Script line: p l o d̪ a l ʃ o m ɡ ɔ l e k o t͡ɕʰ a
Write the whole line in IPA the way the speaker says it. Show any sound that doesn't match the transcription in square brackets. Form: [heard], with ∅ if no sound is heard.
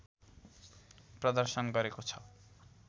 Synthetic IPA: p [ɾ] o d̪ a [ɾ] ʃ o [n] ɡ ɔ [ɾ] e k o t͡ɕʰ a

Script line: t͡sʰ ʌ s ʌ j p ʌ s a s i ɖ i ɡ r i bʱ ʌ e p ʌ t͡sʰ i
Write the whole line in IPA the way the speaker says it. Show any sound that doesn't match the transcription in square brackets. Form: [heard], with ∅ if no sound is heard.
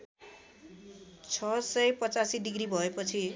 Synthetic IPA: t͡sʰ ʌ s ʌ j p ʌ [t͡s] a s i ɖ i ɡ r i bʱ ʌ e p ʌ t͡sʰ i

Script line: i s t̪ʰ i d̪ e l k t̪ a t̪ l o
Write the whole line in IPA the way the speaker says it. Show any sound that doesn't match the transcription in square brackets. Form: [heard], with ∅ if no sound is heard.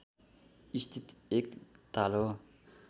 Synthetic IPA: i s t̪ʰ i [t̪] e [∅] k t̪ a [∅] l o

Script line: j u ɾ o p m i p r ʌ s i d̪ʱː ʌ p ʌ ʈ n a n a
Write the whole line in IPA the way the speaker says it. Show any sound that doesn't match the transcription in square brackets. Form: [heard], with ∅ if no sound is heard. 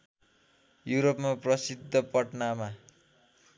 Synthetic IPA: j u ɾ o p m [a] p r ʌ s i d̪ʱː ʌ p ʌ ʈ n a [m] a

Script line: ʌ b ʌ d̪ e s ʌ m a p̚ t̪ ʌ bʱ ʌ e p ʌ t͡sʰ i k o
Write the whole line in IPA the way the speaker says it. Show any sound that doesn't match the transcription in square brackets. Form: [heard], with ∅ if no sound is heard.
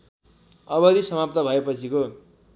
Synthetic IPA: ʌ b ʌ d̪ [i] s ʌ m a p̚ t̪ ʌ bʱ ʌ e p ʌ t͡sʰ i k o

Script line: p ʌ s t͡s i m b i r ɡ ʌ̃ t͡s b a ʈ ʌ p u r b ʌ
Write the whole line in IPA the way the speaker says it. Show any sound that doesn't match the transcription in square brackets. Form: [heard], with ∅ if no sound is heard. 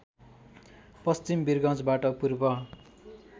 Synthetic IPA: p ʌ s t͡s i m b i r ɡ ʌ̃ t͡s b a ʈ ʌ p u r b ʌ

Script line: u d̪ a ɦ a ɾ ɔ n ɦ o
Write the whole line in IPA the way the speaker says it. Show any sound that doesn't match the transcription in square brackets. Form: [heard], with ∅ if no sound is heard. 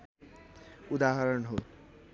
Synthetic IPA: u d̪ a ɦ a ɾ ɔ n ɦ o

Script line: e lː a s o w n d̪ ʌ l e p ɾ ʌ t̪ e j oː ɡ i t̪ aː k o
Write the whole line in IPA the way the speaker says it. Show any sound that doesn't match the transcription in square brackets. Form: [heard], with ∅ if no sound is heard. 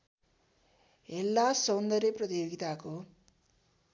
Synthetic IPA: e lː a s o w n d̪ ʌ [ɾ] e p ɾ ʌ t̪ [i] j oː ɡ i t̪ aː k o

